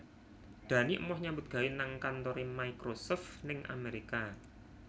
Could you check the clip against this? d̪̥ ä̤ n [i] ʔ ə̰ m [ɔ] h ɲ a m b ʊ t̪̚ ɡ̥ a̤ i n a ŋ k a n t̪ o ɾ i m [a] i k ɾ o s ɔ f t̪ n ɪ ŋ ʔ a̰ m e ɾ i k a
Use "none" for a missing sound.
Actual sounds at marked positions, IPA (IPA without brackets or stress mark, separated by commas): i, ɔ, a